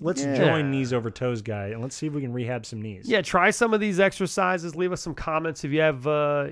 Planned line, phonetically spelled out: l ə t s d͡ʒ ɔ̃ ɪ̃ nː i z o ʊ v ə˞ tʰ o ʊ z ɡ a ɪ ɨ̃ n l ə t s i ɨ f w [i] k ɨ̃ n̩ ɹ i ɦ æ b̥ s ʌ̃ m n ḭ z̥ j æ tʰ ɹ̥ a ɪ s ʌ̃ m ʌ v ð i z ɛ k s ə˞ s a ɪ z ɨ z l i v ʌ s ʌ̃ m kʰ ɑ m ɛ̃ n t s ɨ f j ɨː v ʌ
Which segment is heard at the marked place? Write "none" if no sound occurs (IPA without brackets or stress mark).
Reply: i